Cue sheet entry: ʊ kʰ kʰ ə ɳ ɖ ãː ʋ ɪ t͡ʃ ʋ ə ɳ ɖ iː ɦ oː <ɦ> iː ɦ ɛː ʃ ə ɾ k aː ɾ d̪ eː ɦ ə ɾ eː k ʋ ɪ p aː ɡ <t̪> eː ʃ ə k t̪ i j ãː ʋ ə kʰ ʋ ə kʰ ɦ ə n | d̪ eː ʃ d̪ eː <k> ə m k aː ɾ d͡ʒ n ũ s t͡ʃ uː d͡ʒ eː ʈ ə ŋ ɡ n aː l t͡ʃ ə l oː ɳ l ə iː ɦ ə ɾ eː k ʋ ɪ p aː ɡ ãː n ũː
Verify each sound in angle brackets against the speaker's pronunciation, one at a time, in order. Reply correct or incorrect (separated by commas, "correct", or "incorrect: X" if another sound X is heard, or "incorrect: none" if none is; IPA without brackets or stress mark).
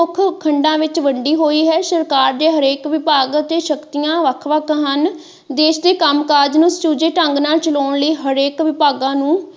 incorrect: none, correct, correct